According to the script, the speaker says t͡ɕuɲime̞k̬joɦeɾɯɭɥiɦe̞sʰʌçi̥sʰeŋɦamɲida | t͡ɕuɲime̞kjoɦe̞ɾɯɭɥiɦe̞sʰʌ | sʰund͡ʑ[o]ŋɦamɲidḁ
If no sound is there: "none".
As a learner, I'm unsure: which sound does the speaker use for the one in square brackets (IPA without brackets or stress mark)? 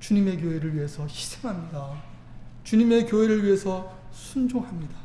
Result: o